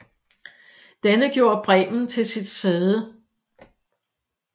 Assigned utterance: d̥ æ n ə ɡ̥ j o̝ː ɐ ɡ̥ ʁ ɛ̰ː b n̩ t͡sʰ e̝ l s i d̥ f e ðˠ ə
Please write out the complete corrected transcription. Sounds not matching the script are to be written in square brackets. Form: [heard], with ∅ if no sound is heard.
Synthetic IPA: d̥ æ n ə ɡ̥ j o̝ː ɐ [b̥] ʁ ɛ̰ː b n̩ t͡sʰ e̝ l s i d̥ [s] e ðˠ ə